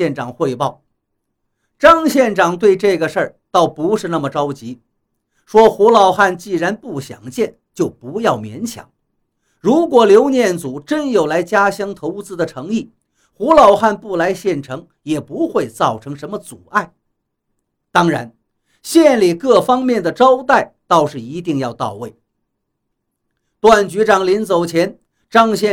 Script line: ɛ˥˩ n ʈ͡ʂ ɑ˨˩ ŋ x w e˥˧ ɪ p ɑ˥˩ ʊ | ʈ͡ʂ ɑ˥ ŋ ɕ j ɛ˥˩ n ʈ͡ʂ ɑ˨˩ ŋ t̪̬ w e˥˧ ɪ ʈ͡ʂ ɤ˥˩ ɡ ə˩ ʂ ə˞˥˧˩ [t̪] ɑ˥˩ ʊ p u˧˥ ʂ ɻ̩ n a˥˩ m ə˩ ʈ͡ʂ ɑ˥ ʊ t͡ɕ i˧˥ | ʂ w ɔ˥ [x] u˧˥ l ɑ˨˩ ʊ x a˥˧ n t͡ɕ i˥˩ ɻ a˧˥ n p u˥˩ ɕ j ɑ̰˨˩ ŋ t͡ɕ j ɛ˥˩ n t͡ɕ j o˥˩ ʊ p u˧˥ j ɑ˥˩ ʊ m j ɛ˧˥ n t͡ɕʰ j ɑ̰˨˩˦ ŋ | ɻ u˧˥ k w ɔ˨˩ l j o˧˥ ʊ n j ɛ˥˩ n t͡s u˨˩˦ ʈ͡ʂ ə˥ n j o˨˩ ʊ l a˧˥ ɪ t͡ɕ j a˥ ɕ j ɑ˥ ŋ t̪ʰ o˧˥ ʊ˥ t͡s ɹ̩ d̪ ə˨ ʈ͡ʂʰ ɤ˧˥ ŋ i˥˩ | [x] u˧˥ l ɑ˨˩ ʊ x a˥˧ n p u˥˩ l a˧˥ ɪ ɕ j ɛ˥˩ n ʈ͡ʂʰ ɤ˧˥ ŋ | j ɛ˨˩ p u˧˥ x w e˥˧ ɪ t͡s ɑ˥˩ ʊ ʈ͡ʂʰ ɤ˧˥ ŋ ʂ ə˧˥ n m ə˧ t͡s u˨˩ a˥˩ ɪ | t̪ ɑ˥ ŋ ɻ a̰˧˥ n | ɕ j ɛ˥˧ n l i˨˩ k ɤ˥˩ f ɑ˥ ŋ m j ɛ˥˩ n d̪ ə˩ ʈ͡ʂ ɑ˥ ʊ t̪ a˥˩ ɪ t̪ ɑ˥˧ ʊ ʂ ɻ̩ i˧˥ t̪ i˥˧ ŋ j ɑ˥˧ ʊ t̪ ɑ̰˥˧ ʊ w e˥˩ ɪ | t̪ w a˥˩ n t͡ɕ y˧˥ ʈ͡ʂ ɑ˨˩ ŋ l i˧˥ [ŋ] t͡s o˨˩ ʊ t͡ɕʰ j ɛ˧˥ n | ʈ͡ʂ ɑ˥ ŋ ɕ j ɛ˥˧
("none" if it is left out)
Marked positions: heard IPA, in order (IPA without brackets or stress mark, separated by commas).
t̪, x, x, n